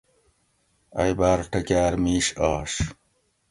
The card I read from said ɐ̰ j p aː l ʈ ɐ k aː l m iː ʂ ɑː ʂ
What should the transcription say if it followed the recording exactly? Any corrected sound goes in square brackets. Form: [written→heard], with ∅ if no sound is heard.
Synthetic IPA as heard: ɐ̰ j [p→b] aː [l→ɾ] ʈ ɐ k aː [l→ɾ] m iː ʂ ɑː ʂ

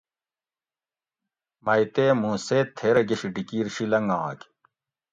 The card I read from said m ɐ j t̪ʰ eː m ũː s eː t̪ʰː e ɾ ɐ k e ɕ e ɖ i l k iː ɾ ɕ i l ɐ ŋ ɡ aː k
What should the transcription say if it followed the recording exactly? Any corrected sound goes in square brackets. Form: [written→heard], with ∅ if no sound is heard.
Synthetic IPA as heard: m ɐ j [t̪ʰ→t̪] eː m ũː s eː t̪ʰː e ɾ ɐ [k→ɡ] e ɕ [e→i] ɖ i [l→∅] k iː ɾ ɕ i l ɐ ŋ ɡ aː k

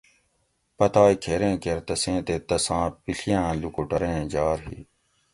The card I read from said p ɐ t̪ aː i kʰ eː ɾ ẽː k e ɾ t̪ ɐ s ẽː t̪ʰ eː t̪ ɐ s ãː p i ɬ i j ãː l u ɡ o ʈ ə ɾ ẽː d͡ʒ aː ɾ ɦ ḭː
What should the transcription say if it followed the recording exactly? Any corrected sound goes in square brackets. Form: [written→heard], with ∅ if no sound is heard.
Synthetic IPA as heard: p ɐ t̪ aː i kʰ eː ɾ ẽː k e ɾ t̪ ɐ s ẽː [t̪ʰ→t̪] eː t̪ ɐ s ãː p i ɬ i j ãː l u [ɡ→k] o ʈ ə ɾ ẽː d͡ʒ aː ɾ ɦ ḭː

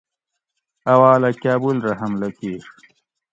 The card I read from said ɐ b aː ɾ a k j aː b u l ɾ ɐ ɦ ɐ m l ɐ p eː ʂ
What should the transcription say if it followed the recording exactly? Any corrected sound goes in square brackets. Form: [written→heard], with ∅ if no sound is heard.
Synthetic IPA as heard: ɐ [b→w] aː [ɾ→l] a k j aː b u l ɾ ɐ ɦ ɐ m l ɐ [p→k] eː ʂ

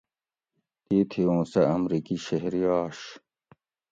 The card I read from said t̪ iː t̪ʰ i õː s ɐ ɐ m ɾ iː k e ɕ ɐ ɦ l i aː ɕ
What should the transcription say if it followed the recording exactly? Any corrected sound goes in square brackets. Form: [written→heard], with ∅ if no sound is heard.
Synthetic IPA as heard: t̪ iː t̪ʰ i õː s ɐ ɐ m ɾ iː k [e→i] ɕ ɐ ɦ [l→ɾ] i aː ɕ

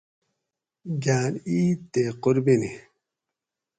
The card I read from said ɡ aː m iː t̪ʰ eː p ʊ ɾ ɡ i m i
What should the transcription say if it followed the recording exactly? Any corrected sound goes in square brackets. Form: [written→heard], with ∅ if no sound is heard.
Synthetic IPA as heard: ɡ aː [m→n] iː [t̪ʰ→t̪] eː [p→q] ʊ ɾ [ɡ→b] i [m→n] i

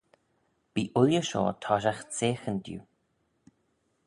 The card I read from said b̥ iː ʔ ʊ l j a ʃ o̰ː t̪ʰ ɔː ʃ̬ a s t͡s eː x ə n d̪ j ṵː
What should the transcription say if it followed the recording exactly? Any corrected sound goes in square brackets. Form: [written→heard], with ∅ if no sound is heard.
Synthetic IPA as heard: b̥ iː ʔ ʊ l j [a→ə] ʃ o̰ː t̪ʰ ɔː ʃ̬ a [s→x] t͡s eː x ə n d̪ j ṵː

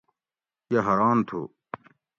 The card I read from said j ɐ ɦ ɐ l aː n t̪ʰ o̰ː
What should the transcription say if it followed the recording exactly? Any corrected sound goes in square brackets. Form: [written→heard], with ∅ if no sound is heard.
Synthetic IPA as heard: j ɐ ɦ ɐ [l→ɾ] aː n t̪ʰ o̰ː

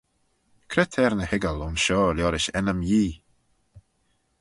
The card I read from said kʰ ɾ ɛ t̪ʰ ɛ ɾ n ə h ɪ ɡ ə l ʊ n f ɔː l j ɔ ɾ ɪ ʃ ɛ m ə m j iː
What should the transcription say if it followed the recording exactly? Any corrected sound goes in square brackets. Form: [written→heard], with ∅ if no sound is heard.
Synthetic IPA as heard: kʰ ɾ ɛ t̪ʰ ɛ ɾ n ə h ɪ ɡ ə l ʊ n [f→ʃ] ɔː l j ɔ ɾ ɪ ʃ ɛ [m→n] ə m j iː

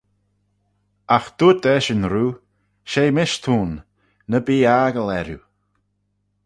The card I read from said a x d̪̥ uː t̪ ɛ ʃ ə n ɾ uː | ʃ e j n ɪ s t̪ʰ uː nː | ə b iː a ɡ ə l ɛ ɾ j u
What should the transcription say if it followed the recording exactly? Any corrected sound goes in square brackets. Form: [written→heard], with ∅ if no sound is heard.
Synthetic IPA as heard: a x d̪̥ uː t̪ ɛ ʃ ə n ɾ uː | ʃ e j [n→m] ɪ [s→ʃ] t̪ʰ uː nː | ə b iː a ɡ ə l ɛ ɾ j u

